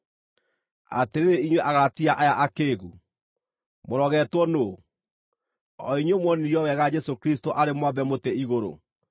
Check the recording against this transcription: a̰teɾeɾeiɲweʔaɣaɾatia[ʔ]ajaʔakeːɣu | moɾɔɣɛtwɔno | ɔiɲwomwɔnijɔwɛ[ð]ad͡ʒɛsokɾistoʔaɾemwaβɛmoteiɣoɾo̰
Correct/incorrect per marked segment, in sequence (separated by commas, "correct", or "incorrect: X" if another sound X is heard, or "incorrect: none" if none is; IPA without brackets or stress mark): correct, incorrect: ɣ